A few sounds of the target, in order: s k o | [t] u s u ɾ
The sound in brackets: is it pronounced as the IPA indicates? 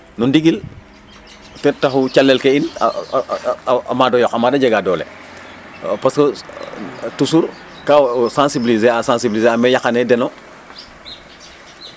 yes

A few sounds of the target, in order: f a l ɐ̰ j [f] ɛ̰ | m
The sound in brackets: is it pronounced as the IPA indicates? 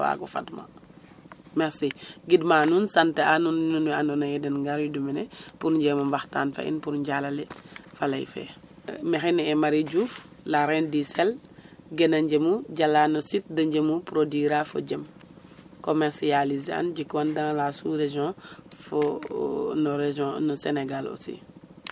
yes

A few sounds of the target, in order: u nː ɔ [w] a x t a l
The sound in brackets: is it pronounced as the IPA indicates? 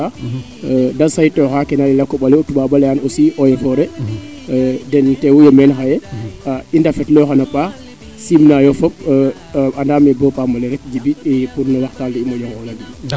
yes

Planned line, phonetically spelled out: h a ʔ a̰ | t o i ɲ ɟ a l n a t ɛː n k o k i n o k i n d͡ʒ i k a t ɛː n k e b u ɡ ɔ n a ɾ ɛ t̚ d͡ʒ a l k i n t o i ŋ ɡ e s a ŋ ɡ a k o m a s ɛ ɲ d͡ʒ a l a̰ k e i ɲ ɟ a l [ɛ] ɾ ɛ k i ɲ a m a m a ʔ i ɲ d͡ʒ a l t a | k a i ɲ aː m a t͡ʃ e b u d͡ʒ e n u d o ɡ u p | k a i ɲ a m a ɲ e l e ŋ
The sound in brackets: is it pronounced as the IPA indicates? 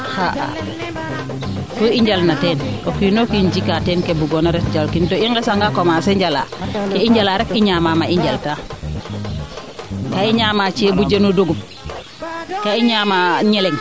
no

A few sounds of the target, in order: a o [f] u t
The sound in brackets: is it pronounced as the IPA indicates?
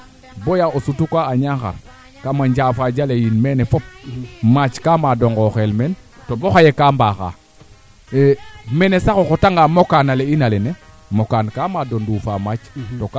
no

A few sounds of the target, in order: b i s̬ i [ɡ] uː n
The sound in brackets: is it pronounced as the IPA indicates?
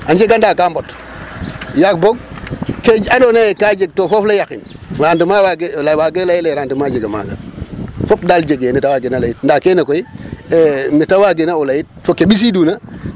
no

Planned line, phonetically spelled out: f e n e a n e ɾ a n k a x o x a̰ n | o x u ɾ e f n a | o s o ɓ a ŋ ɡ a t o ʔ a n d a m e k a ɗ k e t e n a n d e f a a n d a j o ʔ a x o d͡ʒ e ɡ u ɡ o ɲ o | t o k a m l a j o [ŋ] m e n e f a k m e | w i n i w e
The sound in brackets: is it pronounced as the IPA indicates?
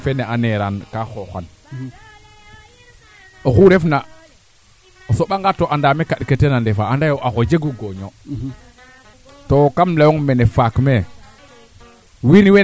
yes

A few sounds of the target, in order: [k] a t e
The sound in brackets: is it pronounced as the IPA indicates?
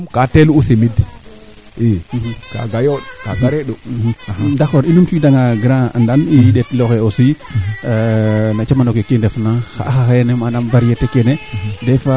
yes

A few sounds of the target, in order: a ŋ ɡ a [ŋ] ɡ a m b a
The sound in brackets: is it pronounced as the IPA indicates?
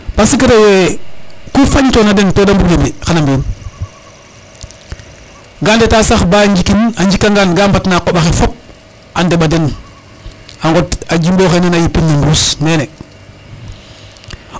no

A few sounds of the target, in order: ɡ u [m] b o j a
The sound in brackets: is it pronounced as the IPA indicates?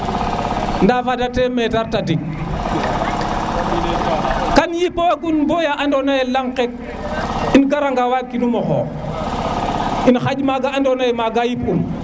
no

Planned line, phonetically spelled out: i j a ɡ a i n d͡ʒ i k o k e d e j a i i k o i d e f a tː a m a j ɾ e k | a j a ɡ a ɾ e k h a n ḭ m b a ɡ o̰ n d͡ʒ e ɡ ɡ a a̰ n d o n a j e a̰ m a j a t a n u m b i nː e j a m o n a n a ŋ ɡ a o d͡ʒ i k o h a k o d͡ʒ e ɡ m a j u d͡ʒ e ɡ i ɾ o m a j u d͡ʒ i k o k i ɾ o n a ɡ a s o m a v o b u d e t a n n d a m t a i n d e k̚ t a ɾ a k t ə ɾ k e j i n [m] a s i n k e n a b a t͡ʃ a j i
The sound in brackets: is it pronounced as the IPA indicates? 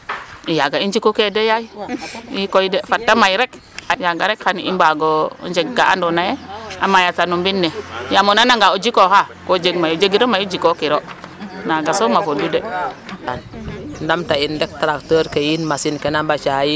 yes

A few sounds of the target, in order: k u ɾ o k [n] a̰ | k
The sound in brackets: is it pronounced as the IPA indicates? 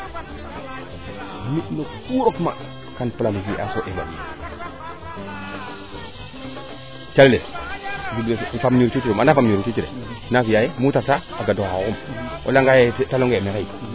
no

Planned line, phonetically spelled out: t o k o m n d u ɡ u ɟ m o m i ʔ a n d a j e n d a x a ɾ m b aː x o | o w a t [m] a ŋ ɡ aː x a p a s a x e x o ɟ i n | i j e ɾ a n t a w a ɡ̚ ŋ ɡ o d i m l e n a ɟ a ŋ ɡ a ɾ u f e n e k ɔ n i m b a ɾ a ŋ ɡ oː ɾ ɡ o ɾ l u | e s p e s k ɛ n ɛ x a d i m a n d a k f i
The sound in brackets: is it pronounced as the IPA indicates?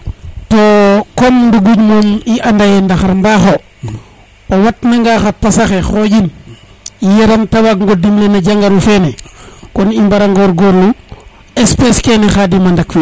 no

